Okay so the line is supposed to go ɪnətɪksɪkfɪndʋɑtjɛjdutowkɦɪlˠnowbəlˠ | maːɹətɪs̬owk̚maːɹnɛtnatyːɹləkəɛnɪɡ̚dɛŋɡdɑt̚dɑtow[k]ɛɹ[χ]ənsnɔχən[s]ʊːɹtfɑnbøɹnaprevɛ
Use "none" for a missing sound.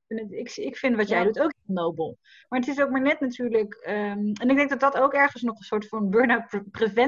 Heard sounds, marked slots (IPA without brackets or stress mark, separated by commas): k, χ, s